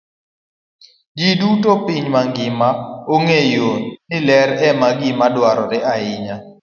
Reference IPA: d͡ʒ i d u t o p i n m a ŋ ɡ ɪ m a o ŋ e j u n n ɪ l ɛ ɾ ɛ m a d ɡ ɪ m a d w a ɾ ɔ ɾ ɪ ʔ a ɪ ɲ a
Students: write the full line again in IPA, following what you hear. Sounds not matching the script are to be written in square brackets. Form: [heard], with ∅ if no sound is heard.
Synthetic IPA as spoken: d͡ʒ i d u t o p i [ɲ] m a ŋ ɡ ɪ m a o ŋ e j [o] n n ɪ l ɛ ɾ ɛ m a [∅] ɡ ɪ m a d w a ɾ ɔ ɾ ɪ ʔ a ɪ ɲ a